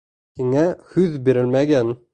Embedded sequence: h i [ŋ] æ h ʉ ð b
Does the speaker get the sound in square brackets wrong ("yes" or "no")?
no